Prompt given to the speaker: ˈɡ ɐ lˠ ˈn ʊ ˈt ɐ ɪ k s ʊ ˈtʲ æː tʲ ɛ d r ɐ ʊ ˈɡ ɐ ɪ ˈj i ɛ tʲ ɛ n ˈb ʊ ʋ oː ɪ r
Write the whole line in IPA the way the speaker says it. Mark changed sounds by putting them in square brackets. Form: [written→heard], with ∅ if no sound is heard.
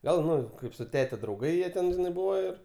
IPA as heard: ˈɡ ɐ lˠ ˈn ʊ [ˈt→ˈk] ɐ ɪ [k→p] s ʊ ˈtʲ æː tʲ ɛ d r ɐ ʊ ˈɡ ɐ ɪ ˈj i ɛ tʲ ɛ n ˈb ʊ ʋ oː ɪ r